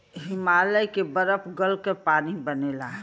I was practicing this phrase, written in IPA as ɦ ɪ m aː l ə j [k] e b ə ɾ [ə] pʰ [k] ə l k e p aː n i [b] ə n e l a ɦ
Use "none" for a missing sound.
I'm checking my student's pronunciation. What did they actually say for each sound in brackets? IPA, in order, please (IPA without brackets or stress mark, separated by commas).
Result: k, ə, ɡ, b